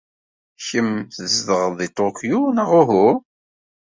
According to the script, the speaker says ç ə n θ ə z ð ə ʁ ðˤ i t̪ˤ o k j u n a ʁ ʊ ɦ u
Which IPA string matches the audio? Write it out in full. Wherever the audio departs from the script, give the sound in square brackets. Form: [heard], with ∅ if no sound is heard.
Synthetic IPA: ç ə [m] θ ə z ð ə ʁ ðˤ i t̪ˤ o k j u n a ʁ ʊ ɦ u